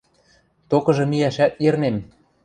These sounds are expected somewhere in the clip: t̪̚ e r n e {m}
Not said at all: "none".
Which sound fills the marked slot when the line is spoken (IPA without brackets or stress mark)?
m